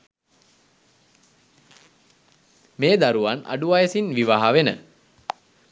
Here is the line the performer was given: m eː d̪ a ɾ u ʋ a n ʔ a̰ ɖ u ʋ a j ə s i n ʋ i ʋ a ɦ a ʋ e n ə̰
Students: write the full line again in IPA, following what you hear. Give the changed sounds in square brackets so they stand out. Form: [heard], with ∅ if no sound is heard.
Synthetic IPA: m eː d̪ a ɾ u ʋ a n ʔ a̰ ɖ u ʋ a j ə s i n ʋ i ʋ a ɦ a ʋ e n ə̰